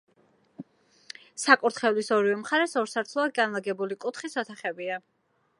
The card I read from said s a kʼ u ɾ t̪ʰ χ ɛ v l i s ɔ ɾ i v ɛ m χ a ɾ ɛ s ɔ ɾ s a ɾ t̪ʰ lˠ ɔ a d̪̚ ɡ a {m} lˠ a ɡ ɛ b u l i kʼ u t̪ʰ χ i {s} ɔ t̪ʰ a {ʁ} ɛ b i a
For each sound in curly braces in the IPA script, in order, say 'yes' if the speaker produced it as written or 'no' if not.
no, yes, no

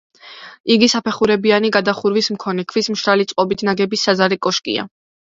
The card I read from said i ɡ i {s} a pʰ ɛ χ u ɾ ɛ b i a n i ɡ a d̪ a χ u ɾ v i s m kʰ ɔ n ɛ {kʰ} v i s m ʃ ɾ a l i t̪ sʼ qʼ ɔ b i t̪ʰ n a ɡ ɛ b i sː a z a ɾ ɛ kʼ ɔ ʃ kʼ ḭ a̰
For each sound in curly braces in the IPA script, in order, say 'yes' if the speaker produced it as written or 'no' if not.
yes, yes

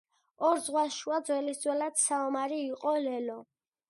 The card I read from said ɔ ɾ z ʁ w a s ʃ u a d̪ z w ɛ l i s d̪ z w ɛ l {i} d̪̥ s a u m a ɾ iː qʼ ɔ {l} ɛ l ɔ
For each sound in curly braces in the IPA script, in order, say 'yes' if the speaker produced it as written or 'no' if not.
no, yes

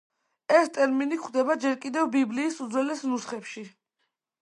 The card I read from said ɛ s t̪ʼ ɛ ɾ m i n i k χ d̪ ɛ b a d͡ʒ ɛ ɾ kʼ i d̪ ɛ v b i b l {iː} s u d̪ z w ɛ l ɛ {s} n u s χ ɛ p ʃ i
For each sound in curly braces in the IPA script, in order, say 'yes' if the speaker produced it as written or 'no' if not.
yes, yes

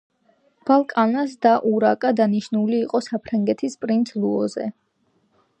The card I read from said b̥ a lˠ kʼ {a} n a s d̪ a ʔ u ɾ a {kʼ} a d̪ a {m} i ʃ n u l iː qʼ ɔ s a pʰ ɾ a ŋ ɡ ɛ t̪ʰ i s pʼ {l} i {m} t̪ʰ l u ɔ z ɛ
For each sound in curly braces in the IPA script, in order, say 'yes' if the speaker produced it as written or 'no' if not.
yes, yes, no, no, no

